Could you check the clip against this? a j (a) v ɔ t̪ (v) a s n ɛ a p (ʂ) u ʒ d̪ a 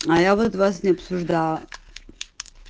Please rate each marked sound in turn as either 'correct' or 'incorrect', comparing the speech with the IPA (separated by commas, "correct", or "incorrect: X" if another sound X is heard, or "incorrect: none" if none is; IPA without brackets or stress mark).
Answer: correct, correct, incorrect: s